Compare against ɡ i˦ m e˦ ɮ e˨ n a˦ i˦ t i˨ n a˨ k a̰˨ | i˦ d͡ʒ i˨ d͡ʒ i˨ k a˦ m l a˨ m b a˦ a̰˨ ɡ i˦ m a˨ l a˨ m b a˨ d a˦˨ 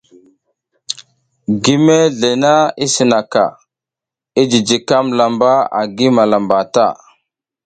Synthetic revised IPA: ɡ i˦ m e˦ ɮ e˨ n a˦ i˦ s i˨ n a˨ k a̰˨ | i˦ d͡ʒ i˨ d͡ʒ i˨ k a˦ m l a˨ m b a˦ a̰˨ ɡ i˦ m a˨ l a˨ m b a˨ t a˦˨